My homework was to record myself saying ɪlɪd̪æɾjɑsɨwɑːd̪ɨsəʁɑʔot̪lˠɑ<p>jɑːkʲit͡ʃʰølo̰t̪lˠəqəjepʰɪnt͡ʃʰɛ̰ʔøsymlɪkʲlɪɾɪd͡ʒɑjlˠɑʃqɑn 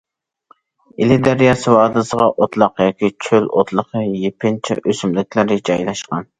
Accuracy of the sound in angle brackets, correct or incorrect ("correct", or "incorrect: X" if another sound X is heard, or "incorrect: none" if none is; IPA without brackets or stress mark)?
incorrect: q